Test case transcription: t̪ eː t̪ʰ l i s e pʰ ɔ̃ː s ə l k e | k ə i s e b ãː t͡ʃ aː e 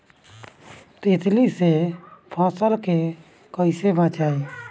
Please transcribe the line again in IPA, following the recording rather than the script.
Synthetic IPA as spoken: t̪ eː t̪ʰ l i s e pʰ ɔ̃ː s ə l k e | k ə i s e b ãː t͡ʃ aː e